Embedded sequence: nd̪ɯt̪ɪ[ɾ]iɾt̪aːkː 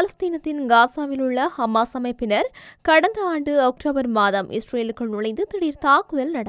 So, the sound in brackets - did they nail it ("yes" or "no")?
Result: no